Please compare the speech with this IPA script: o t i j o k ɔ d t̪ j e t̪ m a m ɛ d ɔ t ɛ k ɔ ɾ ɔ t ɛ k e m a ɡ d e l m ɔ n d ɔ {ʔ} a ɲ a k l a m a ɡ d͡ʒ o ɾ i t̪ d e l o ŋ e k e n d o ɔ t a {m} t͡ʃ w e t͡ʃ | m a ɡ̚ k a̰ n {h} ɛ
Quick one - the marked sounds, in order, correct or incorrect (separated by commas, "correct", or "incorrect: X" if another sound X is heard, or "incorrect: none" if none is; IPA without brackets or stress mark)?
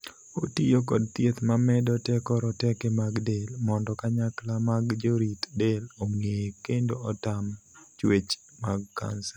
incorrect: k, correct, incorrect: s